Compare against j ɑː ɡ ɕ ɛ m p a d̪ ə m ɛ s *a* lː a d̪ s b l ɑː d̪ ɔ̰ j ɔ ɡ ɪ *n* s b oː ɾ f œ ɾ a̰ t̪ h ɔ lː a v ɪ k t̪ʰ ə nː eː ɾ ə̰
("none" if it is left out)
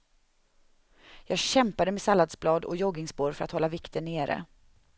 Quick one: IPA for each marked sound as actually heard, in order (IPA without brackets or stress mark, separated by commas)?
a, ŋ